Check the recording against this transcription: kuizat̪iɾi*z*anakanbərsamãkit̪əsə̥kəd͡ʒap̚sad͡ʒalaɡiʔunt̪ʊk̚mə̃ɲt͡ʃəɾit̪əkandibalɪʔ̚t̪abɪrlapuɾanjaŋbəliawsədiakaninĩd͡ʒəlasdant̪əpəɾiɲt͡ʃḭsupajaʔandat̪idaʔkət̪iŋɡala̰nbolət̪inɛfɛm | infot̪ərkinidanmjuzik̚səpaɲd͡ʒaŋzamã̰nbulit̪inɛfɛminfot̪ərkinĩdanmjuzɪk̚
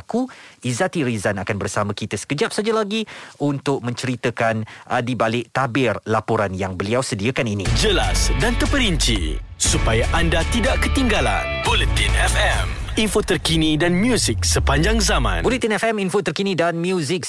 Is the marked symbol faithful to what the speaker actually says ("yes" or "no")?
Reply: yes